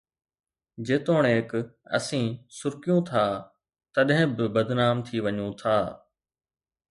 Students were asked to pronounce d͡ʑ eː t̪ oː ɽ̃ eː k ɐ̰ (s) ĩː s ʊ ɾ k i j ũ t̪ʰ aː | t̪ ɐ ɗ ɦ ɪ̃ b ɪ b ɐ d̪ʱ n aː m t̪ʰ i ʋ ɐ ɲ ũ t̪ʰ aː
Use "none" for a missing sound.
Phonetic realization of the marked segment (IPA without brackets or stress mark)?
s